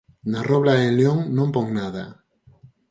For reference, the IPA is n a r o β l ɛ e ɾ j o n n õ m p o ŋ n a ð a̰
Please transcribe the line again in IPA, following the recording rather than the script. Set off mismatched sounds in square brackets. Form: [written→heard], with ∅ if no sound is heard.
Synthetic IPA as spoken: n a r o β l [ɛ→a] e [ɾ→l] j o [n→ŋ] n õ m p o ŋ n a ð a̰